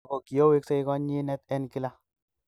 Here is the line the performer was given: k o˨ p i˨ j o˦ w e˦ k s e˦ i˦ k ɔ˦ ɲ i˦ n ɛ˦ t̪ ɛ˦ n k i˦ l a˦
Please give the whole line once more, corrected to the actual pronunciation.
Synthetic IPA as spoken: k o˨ k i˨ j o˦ w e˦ k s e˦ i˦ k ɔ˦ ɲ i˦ n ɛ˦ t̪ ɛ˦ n k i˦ l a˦